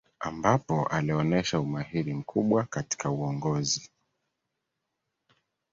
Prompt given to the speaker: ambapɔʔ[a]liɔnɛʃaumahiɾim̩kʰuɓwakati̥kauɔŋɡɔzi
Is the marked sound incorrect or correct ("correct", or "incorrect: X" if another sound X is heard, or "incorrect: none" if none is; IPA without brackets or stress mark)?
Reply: correct